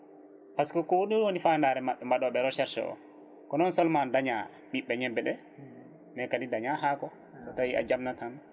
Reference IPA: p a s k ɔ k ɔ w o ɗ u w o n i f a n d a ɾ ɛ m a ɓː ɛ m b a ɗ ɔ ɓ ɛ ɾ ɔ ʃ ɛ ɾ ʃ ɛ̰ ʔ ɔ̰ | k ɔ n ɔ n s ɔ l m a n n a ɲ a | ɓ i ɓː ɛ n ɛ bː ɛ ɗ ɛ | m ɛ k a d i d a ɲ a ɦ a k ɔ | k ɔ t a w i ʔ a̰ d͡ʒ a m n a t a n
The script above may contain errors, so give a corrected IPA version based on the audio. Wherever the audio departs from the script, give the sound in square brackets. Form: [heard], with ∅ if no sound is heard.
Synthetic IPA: p a s k ɔ k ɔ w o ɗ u w o n i f a n d a ɾ ɛ m a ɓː ɛ m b a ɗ ɔ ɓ ɛ ɾ ɔ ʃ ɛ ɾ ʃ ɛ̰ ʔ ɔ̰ | k ɔ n ɔ n s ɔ l m a n [d] a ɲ a | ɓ i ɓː ɛ [ɲ] ɛ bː ɛ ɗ ɛ | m ɛ k a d i d a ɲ a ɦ a k ɔ | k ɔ t a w i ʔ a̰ d͡ʒ a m n a t a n

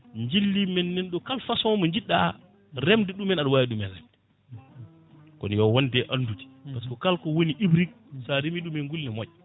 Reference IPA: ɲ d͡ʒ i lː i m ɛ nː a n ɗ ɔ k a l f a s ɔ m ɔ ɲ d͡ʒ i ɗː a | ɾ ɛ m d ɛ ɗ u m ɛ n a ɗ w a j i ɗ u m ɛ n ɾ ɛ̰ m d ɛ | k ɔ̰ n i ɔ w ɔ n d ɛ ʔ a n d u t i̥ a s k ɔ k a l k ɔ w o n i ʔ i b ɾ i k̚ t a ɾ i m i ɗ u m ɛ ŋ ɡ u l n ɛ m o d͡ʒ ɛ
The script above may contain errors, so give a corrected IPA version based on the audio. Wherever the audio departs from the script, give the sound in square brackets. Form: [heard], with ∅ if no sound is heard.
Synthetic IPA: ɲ d͡ʒ i lː i m ɛ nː [ɛ] n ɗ ɔ k a l f a s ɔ m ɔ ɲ d͡ʒ i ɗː a | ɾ ɛ m d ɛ ɗ u m ɛ n a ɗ w a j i ɗ u m ɛ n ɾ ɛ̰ m d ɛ | k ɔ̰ n [j] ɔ w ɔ n d ɛ ʔ a n d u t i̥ a s k ɔ k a l k ɔ w o n i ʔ i b ɾ i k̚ [s] a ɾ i m i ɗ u m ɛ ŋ ɡ u l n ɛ m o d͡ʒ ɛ

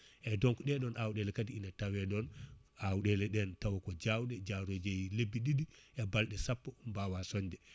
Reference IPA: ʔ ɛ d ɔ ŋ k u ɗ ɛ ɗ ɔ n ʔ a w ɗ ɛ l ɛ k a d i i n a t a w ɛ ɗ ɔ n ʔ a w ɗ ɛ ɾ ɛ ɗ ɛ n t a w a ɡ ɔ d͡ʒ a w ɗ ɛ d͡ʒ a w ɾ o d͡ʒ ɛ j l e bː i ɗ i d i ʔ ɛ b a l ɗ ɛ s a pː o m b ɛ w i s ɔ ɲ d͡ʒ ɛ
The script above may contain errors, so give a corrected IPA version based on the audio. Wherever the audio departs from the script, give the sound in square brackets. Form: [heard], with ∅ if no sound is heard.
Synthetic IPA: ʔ ɛ d ɔ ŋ k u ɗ ɛ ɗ ɔ n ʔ a w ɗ ɛ l ɛ k a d i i n a t a w ɛ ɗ ɔ n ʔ a w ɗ ɛ [l] ɛ ɗ ɛ n t a w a [k] ɔ d͡ʒ a w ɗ ɛ d͡ʒ a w ɾ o d͡ʒ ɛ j l e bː i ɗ i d i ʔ ɛ b a l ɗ ɛ s a pː [ɔ] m b [a] w [a] s ɔ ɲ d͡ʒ ɛ

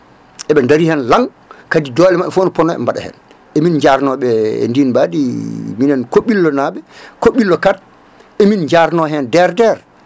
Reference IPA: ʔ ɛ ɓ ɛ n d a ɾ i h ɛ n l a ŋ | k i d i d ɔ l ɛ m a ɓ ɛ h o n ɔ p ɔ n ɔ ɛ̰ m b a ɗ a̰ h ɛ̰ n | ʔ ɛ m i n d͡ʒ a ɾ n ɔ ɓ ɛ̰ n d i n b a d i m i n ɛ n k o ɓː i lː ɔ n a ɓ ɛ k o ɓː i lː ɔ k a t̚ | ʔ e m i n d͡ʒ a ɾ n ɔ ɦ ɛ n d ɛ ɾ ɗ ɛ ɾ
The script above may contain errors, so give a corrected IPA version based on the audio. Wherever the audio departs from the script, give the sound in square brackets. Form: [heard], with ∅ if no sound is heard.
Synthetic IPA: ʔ ɛ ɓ ɛ n d a ɾ i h ɛ n l a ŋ | k [a] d i d ɔ l ɛ m a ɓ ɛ [f] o n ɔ p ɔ n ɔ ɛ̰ m b a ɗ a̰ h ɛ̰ n | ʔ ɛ m i n d͡ʒ a ɾ n ɔ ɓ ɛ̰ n d i n b a d i m i n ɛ n k o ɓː i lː ɔ n a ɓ ɛ k o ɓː i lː ɔ k a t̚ | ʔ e m i n d͡ʒ a ɾ n ɔ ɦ ɛ n d ɛ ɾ [d] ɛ ɾ

